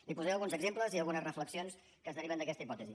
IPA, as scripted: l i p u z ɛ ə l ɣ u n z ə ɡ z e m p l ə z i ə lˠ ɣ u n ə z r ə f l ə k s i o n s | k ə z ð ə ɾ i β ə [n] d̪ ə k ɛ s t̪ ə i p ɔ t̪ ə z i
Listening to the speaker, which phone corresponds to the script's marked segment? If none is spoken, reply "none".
n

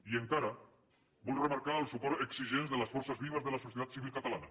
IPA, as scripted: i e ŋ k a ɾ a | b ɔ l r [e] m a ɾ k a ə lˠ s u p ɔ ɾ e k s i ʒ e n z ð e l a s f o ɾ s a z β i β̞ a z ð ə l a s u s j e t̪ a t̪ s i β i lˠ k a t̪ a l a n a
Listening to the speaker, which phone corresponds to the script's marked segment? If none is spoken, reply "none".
e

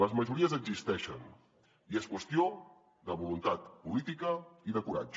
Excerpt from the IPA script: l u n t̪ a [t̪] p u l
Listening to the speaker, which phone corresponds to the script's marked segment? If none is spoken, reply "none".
t̪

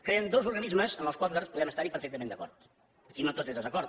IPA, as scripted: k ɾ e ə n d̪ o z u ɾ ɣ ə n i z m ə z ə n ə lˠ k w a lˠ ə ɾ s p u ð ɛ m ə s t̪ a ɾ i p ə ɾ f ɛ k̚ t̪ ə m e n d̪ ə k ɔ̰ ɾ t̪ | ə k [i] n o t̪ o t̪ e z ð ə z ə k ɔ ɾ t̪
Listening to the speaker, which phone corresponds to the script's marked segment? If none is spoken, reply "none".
i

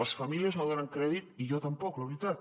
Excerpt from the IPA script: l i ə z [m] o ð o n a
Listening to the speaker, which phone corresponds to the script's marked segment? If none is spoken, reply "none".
n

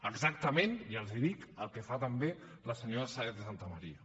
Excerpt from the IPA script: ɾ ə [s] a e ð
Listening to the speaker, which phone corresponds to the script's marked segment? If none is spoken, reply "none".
s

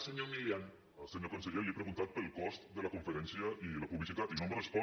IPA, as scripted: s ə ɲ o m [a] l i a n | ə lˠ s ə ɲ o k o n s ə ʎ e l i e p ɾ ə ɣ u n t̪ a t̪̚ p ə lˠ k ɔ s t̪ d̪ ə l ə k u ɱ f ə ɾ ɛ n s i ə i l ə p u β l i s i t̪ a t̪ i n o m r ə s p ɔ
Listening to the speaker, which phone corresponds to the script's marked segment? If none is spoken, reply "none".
i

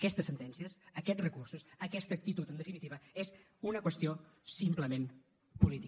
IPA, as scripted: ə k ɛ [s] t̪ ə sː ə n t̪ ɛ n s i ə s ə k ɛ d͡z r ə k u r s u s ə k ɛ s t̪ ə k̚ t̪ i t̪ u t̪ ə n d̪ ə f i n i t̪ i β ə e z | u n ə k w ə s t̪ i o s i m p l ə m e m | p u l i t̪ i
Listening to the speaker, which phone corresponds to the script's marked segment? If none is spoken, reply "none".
s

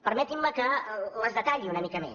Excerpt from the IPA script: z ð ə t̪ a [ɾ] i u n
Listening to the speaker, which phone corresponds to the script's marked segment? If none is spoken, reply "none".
ʎ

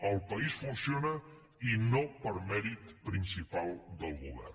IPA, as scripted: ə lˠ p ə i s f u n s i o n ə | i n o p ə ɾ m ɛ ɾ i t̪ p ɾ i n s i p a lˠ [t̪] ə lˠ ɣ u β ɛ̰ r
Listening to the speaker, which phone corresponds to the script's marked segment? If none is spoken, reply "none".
d̪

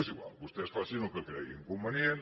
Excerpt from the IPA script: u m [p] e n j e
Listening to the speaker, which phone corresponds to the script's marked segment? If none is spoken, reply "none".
b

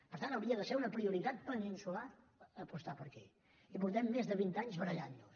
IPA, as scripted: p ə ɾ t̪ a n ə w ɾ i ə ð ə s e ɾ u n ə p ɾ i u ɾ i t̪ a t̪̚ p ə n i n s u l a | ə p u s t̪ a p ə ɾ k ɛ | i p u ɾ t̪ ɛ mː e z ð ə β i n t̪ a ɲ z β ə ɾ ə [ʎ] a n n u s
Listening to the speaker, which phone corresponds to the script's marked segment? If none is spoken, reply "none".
ʎ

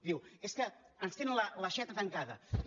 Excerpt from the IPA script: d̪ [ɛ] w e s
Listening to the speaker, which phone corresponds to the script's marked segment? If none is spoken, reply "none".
i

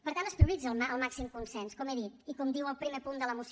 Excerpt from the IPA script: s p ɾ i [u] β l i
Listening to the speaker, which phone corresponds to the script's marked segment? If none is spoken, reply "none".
u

